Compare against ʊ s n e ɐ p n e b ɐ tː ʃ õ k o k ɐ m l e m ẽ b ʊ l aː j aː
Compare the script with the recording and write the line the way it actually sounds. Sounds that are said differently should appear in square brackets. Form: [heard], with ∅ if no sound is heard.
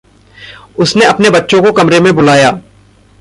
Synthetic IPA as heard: ʊ s n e ɐ p n e b ɐ tː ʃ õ k o k ɐ m [ɾ] e m ẽ b ʊ l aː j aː